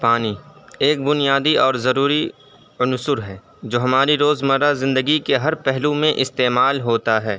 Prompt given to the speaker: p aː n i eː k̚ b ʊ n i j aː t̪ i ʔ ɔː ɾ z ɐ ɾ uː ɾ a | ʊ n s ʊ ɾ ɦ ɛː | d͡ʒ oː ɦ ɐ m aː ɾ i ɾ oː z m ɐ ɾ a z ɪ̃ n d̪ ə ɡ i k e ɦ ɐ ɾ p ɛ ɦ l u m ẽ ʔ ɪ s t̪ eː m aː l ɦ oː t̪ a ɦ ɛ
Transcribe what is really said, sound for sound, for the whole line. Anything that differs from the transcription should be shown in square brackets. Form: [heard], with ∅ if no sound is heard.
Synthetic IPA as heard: p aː n i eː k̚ b ʊ n i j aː [d̪] i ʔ ɔː ɾ z ɐ ɾ uː ɾ [i] | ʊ n s ʊ ɾ ɦ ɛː | d͡ʒ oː ɦ ɐ m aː ɾ i ɾ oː z m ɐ ɾ a z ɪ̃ n d̪ ə ɡ i k e ɦ ɐ ɾ p ɛ ɦ l u m ẽ ʔ ɪ s t̪ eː m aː l ɦ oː t̪ a ɦ [ɛː]